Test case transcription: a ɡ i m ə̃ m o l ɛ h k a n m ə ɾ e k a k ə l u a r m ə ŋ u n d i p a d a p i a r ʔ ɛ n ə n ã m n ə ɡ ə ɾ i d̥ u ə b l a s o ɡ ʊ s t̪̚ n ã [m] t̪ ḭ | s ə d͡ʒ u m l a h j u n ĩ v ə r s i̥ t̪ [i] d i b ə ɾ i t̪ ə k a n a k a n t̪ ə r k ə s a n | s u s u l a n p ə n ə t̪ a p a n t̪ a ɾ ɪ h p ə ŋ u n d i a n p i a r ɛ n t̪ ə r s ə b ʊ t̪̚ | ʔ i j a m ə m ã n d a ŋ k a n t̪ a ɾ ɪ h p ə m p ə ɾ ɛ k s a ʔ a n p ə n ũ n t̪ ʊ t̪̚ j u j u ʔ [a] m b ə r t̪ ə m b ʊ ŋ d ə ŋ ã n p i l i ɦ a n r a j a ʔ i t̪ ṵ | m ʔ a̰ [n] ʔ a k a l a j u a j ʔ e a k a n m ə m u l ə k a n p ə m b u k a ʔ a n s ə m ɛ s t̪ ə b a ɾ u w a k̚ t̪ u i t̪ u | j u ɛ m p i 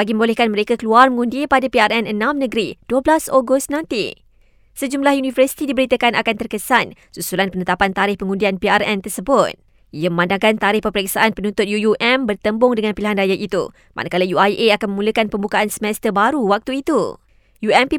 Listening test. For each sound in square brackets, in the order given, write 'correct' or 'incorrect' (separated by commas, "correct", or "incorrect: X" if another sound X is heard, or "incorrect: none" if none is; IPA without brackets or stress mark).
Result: incorrect: n, correct, incorrect: ɛ, correct